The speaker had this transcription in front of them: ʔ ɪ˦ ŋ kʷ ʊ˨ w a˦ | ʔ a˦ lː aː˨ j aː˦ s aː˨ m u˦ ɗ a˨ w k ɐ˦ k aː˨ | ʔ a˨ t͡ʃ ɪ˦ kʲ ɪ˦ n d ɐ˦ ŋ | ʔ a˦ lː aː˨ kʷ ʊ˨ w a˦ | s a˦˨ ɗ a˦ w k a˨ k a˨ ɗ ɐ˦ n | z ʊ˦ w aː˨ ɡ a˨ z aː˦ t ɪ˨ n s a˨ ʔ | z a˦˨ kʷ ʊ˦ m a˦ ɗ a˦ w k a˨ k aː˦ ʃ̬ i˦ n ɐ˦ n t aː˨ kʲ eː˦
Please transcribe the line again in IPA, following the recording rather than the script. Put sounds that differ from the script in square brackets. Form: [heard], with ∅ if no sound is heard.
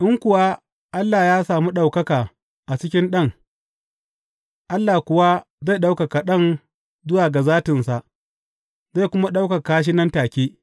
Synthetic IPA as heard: ʔ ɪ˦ ŋ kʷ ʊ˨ w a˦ | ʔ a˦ lː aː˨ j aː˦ s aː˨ m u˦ ɗ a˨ w k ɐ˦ k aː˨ | ʔ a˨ t͡ʃ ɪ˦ kʲ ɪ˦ n [ɗ] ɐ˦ ŋ | ʔ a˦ lː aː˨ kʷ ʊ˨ w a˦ | [z] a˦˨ ɗ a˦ w k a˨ k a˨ ɗ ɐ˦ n | z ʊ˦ w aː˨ ɡ a˨ z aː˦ t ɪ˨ n s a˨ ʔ | z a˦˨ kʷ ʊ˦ m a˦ ɗ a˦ w k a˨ k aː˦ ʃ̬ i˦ n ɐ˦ n t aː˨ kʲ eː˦

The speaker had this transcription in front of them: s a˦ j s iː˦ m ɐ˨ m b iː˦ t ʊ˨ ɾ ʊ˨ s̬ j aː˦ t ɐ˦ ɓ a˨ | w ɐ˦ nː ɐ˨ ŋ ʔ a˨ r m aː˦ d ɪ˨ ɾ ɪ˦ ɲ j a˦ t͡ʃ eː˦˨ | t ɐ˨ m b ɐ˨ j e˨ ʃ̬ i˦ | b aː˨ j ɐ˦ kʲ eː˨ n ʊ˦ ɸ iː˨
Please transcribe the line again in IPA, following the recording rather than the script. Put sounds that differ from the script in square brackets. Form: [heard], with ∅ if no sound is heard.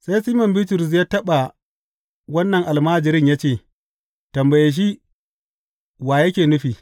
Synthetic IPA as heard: s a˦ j s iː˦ m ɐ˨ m b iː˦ t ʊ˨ ɾ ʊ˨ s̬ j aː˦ t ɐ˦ ɓ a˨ | w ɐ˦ nː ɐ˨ ŋ ʔ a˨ [l] m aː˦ [d͡ʒ] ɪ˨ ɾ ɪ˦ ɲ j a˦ t͡ʃ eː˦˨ | t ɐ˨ m b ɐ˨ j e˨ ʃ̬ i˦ | [w] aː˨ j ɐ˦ kʲ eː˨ n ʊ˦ ɸ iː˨

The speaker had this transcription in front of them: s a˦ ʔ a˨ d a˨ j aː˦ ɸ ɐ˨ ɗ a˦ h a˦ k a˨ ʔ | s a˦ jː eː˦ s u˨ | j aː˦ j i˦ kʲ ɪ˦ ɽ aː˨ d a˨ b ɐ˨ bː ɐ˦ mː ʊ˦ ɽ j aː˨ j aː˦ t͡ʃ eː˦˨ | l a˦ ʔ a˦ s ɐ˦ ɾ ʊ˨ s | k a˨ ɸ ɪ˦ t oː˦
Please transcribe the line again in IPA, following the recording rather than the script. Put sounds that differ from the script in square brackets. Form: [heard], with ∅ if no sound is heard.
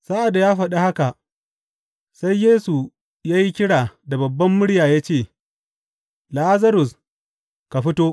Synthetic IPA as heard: s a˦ ʔ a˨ d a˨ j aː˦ ɸ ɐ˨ ɗ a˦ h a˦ k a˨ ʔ | s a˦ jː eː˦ s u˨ | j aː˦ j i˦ kʲ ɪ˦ ɽ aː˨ d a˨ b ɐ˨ bː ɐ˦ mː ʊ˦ ɽ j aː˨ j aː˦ t͡ʃ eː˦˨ | l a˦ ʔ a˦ [z] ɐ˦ ɾ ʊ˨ s | k a˨ ɸ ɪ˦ t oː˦

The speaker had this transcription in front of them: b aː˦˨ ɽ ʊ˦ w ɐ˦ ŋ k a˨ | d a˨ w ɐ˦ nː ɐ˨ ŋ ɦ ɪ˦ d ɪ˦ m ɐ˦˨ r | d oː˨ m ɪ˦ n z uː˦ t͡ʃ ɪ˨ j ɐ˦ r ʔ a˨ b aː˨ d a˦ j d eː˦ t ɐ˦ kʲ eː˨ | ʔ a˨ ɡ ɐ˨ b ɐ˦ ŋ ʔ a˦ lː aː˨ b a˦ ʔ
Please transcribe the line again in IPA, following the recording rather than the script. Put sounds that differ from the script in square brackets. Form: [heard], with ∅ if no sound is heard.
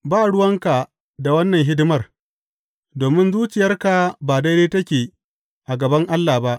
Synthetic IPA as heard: b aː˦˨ ɽ ʊ˦ w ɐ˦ ŋ k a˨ | d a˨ w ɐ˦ nː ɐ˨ ŋ ɦ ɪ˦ d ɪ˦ m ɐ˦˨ r | d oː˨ m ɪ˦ n z uː˦ t͡ʃ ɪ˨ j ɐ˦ r [k] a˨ b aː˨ d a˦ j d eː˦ t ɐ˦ kʲ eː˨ | ʔ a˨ ɡ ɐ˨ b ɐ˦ ŋ ʔ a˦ lː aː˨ b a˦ ʔ

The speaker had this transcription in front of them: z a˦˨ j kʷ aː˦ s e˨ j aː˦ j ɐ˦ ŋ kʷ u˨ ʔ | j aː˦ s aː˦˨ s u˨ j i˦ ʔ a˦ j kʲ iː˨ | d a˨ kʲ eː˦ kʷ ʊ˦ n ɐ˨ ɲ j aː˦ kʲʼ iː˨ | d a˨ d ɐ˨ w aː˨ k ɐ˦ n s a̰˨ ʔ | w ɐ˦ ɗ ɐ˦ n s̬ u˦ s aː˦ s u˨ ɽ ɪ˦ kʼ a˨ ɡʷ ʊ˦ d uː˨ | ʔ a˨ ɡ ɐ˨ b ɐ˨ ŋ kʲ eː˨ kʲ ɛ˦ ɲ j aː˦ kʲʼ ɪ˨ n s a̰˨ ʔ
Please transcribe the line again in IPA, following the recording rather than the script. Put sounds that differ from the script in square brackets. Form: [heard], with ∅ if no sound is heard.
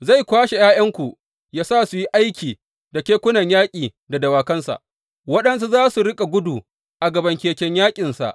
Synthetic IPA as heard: z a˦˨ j kʷ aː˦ [ʃ] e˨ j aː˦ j ɐ˦ ŋ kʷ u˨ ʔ | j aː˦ s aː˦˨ s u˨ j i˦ ʔ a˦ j kʲ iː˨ | d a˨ kʲ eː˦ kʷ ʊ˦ n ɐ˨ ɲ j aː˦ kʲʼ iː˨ | d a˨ d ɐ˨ w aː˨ k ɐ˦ n s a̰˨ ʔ | w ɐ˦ ɗ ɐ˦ n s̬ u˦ [z] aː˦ s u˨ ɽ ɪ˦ kʼ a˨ ɡʷ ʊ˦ d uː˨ | ʔ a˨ ɡ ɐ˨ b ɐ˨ ŋ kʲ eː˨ kʲ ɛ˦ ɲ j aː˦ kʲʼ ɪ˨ n s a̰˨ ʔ

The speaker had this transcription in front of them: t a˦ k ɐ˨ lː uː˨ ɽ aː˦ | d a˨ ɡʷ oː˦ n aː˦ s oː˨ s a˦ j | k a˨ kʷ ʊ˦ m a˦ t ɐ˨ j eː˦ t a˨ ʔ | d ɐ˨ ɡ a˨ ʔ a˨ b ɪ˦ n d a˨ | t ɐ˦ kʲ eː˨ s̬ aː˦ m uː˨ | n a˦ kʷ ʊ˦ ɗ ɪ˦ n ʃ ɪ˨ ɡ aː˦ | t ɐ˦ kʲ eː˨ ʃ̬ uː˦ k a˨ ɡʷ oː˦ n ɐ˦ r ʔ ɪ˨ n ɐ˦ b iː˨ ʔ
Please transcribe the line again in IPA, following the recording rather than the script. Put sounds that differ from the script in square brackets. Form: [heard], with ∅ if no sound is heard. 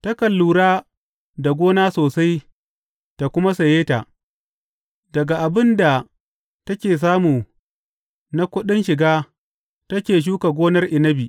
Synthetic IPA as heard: t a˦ k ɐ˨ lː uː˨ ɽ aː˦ | d a˨ ɡʷ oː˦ n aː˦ s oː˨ s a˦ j | [t] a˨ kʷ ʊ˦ m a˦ [s] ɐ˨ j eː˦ t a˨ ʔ | d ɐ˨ ɡ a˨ ʔ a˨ b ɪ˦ n d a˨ | t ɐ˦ kʲ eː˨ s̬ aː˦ m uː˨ | n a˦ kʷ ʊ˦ ɗ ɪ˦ n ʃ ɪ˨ ɡ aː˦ | t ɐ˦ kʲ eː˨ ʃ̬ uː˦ k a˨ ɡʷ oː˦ n ɐ˦ r ʔ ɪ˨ n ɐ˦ b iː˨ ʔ

